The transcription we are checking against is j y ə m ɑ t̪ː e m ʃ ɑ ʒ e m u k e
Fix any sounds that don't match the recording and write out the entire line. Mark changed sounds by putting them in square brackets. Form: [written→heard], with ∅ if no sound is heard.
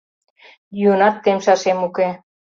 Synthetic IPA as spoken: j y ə [m→n] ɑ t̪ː e m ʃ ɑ [ʒ→ʃ] e m u k e